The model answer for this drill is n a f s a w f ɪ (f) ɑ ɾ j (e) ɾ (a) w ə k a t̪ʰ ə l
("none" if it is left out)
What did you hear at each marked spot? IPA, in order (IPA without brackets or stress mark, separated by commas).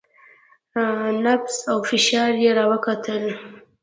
ʃ, e, ɑ